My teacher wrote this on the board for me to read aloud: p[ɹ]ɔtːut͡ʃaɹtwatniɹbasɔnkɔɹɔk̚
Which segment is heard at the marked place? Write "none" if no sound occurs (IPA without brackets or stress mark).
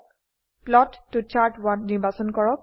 l